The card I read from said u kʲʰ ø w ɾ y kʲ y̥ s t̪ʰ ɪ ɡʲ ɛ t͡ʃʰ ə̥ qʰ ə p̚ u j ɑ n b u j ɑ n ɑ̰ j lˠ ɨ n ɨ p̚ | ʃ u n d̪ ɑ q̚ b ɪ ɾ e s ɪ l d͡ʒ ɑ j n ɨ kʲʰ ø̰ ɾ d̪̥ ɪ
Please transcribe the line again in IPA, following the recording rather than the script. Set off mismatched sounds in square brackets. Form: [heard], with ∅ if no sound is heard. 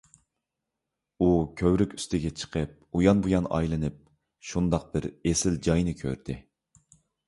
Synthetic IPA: u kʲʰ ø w ɾ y kʲ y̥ s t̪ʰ ɪ ɡʲ ɛ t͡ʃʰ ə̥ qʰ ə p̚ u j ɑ n b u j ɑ n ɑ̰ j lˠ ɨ n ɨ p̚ | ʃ u n d̪ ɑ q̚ b ɪ ɾ e s ɪ l d͡ʒ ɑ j n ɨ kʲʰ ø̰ ɾ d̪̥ ɪ

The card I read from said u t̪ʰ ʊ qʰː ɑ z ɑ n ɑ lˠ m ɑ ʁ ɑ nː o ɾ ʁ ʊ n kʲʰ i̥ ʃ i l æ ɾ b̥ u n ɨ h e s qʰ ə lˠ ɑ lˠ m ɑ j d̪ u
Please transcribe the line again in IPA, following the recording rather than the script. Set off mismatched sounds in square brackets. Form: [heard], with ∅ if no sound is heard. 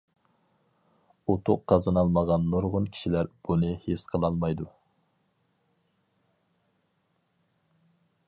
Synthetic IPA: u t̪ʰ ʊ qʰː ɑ z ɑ n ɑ lˠ m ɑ ʁ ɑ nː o ɾ ʁ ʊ n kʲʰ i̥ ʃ i l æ ɾ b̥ u n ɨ h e s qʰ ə lˠ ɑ lˠ m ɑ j d̪ u

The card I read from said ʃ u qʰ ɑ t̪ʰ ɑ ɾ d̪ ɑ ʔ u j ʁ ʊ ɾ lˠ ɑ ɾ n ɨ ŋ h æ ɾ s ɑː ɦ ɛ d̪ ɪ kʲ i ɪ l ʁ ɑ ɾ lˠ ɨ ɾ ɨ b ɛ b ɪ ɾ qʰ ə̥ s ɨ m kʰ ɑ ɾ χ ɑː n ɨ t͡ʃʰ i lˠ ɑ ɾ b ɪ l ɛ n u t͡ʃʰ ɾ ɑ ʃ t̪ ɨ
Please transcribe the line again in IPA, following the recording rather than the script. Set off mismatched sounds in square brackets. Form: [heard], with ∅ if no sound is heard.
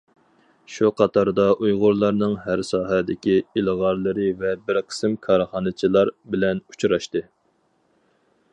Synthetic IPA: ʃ u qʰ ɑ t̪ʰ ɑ ɾ d̪ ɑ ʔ u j ʁ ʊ ɾ lˠ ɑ ɾ n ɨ ŋ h æ ɾ s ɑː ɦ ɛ d̪ ɪ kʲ i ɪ l ʁ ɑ ɾ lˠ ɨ ɾ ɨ [v] ɛ b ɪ ɾ qʰ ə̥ s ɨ m kʰ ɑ ɾ χ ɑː n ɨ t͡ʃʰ i lˠ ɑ ɾ b ɪ l ɛ n u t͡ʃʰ ɾ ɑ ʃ t̪ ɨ

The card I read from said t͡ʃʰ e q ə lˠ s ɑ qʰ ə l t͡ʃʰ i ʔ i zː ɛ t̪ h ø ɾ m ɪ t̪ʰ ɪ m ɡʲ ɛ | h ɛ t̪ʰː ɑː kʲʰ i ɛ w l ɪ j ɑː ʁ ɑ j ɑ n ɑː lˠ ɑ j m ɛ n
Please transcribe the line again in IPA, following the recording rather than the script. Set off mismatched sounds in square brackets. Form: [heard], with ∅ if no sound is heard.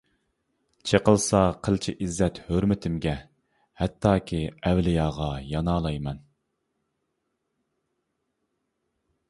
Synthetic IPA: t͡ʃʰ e q ə lˠ s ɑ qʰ ə l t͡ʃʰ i ʔ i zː ɛ t̪ h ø ɾ m ɪ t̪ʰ ɪ m ɡʲ ɛ | h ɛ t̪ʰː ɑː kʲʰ i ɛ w l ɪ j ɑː ʁ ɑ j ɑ n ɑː lˠ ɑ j m ɛ n

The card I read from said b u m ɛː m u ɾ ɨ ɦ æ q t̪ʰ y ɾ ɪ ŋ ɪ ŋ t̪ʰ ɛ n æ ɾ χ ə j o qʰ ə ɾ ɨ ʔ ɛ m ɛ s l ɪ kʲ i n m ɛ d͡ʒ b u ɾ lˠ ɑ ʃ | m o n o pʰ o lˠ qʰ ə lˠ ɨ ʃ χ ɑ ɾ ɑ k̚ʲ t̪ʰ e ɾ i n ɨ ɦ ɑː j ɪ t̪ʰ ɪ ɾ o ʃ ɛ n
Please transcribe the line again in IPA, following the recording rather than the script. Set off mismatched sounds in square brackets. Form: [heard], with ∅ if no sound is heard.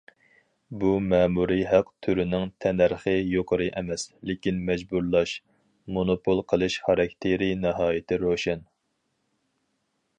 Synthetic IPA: b u m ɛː m u ɾ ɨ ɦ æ q t̪ʰ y ɾ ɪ [n] ɪ ŋ t̪ʰ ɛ n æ ɾ χ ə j o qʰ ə ɾ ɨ ʔ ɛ m ɛ s l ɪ kʲ i n m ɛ d͡ʒ b u ɾ lˠ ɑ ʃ | m o n o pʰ o lˠ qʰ ə lˠ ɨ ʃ χ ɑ ɾ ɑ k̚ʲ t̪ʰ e ɾ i n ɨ ɦ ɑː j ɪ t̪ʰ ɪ ɾ o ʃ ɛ n

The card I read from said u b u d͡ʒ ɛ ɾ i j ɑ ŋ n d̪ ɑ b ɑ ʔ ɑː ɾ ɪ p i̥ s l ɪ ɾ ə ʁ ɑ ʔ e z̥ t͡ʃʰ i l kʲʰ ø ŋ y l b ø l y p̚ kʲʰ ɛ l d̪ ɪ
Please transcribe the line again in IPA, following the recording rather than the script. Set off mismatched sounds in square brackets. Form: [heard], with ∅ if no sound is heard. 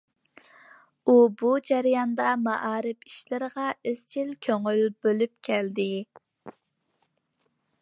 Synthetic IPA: u b u d͡ʒ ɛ ɾ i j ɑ [∅] n d̪ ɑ [m] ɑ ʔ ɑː ɾ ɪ p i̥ [ʃ] l ɪ ɾ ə ʁ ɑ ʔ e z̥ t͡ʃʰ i l kʲʰ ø ŋ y l b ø l y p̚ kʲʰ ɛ l d̪ ɪ

